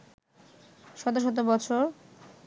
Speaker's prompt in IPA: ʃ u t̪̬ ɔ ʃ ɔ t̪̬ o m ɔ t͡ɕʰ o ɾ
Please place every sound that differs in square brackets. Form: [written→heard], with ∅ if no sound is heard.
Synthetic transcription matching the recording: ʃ [u→ɔ] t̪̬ [ɔ→o] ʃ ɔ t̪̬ o [m→b] ɔ t͡ɕʰ o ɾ